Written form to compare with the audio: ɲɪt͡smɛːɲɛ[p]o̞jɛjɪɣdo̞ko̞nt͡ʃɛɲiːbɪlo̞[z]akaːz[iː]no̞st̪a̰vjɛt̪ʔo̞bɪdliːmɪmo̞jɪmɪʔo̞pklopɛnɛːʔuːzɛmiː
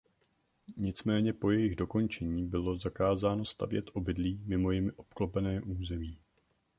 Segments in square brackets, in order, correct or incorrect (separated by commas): correct, correct, incorrect